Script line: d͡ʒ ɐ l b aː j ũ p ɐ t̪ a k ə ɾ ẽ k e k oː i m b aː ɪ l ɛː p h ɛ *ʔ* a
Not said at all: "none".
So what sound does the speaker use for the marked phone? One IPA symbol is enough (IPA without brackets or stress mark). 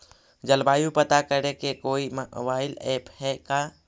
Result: k